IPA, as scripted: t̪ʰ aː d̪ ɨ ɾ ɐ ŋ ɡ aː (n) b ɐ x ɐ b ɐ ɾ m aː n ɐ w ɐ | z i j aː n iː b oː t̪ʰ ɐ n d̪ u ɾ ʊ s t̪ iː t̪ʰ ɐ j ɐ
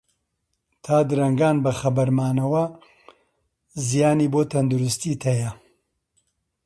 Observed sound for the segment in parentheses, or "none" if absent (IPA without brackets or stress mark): n